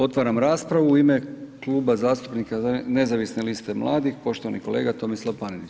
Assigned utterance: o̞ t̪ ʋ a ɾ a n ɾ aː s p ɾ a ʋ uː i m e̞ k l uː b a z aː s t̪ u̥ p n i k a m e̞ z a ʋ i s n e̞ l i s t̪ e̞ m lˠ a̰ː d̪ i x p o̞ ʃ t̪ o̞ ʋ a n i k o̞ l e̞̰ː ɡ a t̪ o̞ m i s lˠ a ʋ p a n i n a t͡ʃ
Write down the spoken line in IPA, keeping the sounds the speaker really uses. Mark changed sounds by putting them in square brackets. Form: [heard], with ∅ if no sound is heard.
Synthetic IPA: o̞ t̪ ʋ a ɾ a [m] ɾ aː s p ɾ a ʋ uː i m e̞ k l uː b a z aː s t̪ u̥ p n i k a [n] e̞ z a ʋ i s n e̞ l i s t̪ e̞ m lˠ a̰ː d̪ i x p o̞ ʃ t̪ o̞ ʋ a n i k o̞ l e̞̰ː ɡ a t̪ o̞ m i s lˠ a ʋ p a n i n [i] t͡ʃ